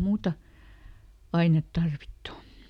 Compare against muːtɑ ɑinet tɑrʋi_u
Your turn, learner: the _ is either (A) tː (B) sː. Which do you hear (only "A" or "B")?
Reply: A